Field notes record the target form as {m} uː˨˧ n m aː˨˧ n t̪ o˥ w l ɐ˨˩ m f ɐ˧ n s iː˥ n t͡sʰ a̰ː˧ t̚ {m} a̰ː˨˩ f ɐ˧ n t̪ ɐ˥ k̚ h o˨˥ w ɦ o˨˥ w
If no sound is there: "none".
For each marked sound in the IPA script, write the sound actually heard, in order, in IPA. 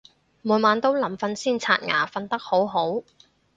m, ŋ

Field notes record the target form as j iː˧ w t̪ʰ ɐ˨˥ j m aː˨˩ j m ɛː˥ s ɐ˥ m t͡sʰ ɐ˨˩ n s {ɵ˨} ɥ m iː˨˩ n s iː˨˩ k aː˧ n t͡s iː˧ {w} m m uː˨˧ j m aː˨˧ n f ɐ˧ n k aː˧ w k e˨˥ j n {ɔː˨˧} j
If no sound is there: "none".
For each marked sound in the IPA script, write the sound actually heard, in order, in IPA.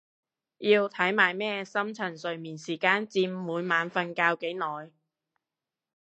ɵ˨, none, ɔː˨˧

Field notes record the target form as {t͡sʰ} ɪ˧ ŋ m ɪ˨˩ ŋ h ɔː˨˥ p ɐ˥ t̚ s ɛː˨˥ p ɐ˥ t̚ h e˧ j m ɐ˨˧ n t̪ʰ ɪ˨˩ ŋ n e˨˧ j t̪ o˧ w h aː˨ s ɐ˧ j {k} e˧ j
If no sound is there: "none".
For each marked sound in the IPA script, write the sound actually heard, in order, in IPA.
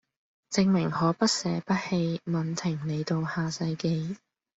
t͡s, k

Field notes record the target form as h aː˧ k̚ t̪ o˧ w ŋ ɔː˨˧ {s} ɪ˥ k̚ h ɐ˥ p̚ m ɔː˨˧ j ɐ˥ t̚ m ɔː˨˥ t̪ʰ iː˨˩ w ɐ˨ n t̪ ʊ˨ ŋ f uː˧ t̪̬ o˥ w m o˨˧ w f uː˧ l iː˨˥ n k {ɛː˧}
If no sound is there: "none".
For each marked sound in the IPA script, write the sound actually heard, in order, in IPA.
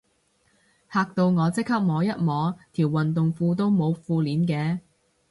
t͡s, ɛː˧

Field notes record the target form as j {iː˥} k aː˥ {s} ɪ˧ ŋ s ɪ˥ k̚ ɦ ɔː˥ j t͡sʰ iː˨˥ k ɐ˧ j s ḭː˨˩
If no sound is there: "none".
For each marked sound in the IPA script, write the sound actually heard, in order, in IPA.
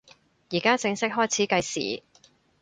iː˨˩, t͡s

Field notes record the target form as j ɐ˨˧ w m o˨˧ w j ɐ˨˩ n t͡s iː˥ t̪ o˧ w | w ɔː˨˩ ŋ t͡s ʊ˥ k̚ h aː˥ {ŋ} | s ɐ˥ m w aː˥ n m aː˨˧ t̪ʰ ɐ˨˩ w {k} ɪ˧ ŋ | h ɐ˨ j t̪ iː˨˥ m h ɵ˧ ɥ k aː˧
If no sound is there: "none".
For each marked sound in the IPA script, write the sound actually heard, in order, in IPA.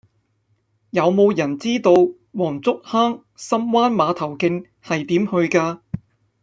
ŋ, k

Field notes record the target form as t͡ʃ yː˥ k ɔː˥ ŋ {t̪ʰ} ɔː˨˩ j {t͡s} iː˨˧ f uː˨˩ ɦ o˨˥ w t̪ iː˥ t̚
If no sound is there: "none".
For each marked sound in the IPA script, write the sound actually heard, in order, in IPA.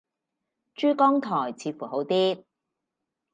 t̪ʰ, t͡sʰ

